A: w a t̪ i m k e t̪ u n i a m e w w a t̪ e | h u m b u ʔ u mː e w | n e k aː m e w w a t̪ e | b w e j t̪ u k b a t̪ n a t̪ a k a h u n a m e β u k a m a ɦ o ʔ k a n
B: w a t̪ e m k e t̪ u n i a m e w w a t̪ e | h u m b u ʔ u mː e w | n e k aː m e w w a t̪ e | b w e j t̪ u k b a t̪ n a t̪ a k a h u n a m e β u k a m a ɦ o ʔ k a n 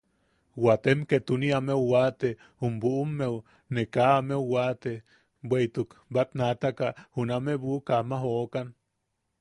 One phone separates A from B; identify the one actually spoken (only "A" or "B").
B